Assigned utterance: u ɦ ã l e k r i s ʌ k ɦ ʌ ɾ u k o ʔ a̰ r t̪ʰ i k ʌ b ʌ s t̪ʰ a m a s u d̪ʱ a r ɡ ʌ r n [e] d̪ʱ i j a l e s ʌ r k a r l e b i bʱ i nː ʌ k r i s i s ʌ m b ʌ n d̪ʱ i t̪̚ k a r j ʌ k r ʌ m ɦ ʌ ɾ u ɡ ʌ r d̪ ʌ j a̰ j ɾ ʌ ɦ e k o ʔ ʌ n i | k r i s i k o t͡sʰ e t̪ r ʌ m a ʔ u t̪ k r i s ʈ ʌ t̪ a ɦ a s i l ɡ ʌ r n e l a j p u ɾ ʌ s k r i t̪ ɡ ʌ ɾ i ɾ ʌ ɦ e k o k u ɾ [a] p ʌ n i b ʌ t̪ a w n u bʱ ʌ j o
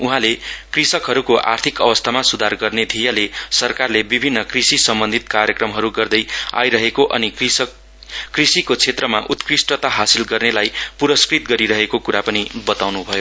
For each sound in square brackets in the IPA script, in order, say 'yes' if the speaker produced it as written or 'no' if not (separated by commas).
yes, yes